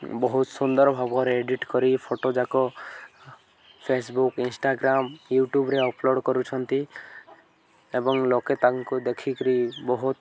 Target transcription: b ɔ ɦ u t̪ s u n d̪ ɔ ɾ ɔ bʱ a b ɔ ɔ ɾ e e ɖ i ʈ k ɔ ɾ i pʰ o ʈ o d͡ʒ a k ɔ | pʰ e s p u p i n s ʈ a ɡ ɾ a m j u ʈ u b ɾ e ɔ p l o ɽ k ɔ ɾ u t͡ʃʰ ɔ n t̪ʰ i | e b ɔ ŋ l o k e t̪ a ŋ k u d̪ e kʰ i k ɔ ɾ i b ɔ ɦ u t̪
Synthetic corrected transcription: b ɔ ɦ u t̪ s u n d̪ ɔ ɾ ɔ bʱ a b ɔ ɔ ɾ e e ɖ i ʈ k ɔ ɾ i pʰ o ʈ o d͡ʒ a k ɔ | pʰ e s b u k i n s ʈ a ɡ ɾ a m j u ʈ u b ɾ e ɔ p l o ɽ k ɔ ɾ u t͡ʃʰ ɔ n t̪ i | e b ɔ ŋ l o k e t̪ a ŋ k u d̪ e kʰ i k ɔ ɾ i b ɔ ɦ u t̪